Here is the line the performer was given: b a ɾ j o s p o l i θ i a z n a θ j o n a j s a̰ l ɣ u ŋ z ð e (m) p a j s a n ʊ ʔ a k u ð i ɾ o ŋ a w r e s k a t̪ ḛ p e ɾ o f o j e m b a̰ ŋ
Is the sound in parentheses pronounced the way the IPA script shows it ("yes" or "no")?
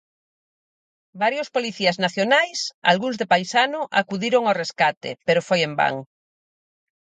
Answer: no